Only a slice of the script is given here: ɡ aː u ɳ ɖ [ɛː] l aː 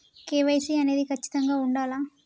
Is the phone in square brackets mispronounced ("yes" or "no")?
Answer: yes